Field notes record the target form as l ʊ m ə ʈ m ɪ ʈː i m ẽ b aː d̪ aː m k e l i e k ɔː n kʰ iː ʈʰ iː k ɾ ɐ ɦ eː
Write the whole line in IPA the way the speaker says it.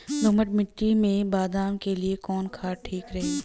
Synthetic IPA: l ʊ m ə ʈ m ɪ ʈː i m ẽ b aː d̪ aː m k e l i e k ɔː n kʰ aː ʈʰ iː k ɾ ɐ ɦ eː